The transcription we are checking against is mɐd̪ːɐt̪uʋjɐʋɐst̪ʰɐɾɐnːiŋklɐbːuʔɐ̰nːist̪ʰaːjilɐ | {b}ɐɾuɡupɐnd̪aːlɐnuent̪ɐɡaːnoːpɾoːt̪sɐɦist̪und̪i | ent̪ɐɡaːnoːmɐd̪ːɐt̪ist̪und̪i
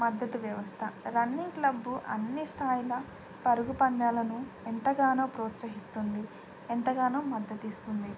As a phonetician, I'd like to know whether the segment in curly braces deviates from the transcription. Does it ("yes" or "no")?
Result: yes